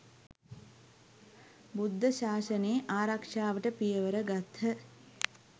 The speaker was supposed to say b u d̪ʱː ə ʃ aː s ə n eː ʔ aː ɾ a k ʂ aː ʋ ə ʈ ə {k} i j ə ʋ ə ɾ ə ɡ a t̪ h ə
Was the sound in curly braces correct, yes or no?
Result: no